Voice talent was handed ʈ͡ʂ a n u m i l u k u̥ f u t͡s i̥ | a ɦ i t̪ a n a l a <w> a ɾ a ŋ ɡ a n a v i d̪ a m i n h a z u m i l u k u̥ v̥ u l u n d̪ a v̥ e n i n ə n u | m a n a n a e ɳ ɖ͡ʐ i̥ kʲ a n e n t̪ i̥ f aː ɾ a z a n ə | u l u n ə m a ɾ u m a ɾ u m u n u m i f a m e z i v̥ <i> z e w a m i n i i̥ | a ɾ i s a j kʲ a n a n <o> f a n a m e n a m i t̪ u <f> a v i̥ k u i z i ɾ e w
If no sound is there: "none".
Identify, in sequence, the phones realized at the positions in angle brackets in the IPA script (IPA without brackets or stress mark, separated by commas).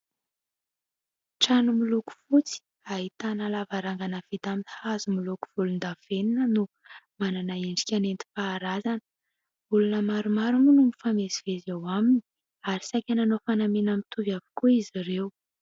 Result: v, e, o, v